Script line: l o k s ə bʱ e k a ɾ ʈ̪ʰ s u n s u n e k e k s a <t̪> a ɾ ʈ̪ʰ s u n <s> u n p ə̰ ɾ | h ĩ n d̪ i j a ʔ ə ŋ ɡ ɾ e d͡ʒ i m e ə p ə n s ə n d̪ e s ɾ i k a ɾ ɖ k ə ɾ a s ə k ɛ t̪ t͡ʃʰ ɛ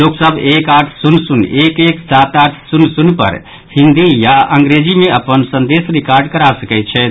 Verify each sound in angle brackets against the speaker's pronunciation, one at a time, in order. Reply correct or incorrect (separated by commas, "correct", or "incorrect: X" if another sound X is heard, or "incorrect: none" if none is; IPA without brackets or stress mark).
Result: correct, correct